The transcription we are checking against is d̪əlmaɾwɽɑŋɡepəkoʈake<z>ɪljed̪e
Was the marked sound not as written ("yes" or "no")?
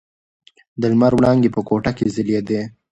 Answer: no